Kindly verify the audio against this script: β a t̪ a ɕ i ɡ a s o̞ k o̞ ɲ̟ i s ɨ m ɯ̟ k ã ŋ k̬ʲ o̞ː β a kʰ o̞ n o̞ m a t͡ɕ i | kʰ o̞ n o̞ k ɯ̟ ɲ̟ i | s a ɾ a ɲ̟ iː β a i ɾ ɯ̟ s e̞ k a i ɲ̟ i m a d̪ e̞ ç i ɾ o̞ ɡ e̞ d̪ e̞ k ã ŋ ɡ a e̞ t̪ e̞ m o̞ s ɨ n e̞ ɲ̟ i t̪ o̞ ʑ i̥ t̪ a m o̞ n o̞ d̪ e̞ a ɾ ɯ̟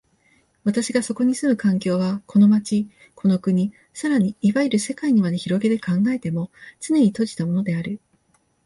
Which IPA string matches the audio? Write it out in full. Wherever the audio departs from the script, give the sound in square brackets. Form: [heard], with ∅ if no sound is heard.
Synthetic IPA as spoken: β a t̪ a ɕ i ɡ a s o̞ k o̞ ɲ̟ i s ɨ m ɯ̟ k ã ŋ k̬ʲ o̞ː β a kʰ o̞ n o̞ m a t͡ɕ i | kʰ o̞ n o̞ k ɯ̟ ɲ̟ i | s a ɾ a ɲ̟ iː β a i ɾ ɯ̟ s e̞ k a i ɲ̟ i m a d̪ e̞ ç i ɾ o̞ ɡ e̞ d̪ e̞ k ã ŋ ɡ a e̞ t̪ e̞ m o̞ [t͡s] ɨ n e̞ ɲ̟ i t̪ o̞ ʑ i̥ t̪ a m o̞ n o̞ d̪ e̞ a ɾ ɯ̟